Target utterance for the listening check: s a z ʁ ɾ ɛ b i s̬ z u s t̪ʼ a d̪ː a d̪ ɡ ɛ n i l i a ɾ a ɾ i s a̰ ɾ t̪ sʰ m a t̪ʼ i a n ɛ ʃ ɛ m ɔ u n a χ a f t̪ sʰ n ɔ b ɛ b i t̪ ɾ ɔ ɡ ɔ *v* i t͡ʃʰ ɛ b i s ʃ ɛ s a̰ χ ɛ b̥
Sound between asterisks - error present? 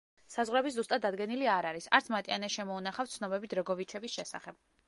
no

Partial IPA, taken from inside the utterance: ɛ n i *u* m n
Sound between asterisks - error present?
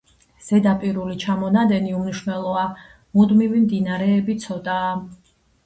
no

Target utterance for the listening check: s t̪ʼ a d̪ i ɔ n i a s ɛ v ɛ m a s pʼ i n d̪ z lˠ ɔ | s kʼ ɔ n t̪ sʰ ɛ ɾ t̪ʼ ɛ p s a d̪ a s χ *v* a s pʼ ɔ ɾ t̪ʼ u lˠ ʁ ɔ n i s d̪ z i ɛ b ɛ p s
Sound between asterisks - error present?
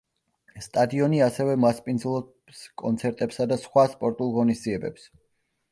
yes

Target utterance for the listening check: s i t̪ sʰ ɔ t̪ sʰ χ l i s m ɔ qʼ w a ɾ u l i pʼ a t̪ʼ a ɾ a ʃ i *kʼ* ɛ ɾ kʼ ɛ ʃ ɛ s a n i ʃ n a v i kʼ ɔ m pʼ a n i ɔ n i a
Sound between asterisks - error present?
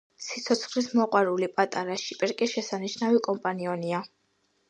yes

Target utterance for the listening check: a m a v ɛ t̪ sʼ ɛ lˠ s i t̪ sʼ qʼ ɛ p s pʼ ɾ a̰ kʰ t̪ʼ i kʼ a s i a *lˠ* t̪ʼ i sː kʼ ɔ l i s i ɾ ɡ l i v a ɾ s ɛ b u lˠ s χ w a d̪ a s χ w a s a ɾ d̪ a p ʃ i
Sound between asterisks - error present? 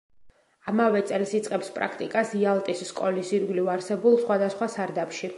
no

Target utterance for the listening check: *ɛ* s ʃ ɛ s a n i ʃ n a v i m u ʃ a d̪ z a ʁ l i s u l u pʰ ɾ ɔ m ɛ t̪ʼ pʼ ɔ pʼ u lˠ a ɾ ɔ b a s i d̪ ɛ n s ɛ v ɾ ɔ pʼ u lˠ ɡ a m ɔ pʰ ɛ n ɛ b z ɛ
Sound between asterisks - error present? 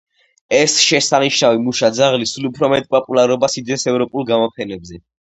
no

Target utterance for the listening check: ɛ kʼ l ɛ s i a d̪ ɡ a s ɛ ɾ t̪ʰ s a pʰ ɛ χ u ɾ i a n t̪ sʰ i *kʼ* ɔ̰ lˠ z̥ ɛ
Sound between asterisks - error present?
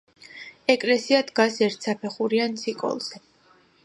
no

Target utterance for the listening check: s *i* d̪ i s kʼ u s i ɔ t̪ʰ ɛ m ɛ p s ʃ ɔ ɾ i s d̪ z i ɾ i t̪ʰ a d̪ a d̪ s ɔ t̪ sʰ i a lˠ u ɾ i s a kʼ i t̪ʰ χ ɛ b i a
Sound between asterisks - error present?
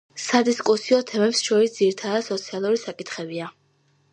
yes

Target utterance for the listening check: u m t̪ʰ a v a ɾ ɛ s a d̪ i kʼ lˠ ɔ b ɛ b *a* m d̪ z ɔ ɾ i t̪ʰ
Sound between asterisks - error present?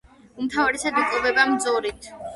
no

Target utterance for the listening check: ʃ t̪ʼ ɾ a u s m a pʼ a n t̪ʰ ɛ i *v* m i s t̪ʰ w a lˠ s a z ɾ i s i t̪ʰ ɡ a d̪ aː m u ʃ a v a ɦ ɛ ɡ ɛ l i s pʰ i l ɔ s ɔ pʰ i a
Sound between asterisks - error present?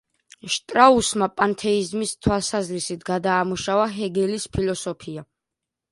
yes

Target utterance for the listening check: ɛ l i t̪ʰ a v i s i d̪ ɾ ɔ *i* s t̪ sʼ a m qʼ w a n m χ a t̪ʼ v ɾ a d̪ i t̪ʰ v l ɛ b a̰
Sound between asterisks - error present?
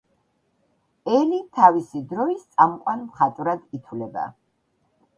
no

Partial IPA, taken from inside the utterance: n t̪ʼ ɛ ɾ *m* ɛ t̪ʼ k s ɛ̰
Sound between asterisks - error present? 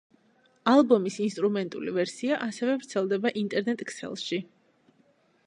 yes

